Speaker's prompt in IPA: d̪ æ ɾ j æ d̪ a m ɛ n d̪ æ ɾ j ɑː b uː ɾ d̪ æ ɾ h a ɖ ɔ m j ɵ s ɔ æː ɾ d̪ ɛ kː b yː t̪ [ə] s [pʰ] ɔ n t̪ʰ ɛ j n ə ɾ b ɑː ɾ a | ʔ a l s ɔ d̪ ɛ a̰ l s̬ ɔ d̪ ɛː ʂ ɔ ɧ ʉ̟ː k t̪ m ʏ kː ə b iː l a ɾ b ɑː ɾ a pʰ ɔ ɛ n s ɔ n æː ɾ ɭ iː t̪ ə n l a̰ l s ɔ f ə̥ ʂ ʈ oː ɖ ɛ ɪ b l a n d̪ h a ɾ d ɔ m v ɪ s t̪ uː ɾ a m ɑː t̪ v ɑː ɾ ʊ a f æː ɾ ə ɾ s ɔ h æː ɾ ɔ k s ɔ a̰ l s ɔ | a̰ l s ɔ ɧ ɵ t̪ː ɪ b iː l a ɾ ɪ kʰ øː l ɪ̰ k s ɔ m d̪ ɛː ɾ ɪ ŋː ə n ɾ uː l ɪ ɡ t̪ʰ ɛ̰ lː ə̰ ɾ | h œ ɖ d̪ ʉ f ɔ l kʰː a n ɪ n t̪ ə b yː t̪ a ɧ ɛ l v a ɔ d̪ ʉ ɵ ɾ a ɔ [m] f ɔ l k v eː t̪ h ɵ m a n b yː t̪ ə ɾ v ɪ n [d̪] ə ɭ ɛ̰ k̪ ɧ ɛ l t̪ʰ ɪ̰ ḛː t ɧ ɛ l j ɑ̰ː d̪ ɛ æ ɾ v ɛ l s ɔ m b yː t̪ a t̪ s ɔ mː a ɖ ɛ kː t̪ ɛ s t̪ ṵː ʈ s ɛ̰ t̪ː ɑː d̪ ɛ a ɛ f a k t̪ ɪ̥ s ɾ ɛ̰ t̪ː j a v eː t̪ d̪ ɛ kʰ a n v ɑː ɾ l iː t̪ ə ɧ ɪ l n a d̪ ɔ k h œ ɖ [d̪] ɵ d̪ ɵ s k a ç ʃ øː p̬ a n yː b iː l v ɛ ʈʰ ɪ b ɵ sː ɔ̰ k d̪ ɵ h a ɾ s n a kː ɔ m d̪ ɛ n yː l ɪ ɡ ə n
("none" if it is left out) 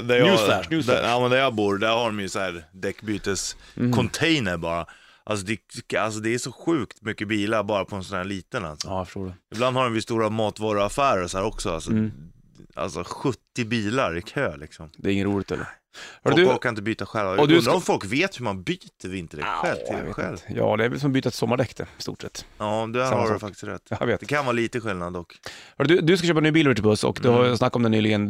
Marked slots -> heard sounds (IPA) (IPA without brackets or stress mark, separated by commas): ə, kʰ, m, t̪, d̪